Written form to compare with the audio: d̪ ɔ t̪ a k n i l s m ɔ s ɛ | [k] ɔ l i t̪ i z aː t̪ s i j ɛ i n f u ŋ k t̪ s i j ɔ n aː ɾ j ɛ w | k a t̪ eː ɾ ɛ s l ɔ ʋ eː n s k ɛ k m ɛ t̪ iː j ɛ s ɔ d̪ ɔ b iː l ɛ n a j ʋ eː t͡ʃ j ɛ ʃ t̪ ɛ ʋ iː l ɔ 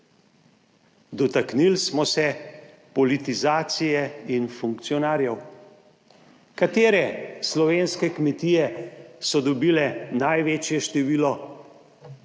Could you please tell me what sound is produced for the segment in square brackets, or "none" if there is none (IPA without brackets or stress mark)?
p